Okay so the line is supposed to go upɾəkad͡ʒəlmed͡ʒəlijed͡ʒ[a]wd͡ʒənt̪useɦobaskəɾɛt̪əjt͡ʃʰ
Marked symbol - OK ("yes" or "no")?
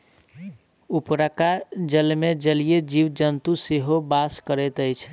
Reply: no